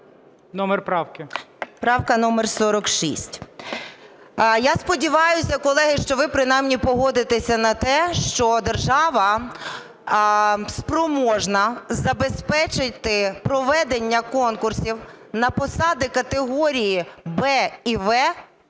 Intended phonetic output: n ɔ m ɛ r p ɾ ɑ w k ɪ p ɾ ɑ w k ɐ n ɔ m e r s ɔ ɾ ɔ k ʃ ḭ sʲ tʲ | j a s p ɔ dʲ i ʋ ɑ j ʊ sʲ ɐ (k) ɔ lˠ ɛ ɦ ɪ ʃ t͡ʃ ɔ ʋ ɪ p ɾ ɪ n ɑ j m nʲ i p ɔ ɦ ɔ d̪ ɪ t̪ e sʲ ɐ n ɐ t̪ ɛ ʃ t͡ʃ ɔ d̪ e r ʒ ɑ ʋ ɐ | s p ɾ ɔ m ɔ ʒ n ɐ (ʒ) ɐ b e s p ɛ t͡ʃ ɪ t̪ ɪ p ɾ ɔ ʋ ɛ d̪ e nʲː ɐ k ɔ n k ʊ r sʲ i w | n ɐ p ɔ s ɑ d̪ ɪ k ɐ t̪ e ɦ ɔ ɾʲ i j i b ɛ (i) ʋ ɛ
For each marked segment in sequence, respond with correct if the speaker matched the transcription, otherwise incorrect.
correct, incorrect: z, correct

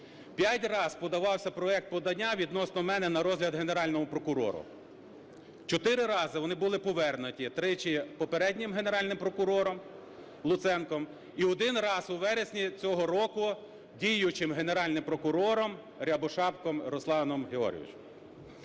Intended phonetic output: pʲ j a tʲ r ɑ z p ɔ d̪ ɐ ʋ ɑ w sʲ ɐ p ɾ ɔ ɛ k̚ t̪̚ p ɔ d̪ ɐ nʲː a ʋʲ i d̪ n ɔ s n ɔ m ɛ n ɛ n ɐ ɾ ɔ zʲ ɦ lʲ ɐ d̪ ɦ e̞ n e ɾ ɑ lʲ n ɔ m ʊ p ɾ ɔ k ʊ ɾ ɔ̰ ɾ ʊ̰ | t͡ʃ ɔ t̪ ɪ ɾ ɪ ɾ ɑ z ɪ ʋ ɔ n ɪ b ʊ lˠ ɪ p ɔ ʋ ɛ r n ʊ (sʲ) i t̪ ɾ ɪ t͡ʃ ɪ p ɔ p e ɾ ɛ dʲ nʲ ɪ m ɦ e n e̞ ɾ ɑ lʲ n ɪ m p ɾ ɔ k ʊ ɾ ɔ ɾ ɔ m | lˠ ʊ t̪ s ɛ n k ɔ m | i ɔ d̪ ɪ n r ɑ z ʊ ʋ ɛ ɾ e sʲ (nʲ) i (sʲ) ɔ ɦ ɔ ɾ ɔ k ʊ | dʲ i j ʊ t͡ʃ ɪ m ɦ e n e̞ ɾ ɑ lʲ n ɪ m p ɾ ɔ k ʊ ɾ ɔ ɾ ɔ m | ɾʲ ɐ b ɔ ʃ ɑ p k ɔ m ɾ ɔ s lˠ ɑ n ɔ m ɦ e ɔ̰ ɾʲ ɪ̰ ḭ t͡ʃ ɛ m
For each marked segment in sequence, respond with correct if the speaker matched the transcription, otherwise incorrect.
incorrect: tʲ, correct, incorrect: t͡sʲ

